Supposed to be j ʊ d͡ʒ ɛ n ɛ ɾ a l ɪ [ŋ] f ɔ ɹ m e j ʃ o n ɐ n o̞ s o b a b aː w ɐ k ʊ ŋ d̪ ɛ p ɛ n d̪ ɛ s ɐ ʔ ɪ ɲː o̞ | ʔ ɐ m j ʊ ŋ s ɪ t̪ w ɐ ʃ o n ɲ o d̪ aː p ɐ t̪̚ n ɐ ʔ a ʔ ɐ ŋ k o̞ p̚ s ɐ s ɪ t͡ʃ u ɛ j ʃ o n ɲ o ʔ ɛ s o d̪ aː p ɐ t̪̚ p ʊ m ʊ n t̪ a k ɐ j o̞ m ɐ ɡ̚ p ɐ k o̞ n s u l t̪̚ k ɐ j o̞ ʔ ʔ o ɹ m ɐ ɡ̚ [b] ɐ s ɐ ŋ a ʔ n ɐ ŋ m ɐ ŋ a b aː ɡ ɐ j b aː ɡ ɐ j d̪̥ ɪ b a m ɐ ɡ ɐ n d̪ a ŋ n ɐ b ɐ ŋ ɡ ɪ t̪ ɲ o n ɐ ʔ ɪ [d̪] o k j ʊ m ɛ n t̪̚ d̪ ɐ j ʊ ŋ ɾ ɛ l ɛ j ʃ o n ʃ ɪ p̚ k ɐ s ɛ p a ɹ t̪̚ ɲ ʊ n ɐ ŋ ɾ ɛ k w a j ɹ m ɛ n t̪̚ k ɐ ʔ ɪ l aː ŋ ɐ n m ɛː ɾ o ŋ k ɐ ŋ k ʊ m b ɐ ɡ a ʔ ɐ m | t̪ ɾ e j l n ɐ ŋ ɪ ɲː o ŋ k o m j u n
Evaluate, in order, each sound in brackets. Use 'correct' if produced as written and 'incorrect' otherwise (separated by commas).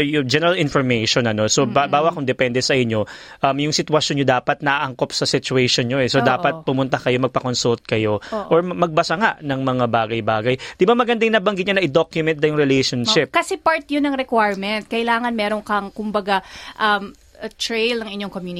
incorrect, correct, correct